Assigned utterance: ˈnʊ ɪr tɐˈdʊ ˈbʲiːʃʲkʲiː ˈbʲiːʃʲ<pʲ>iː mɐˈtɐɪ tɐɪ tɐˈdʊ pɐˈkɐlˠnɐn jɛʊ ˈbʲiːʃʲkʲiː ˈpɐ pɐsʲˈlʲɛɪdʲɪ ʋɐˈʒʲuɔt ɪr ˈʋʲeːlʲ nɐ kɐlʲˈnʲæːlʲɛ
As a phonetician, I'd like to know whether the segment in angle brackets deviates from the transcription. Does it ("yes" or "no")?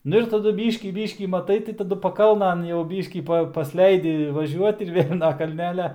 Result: yes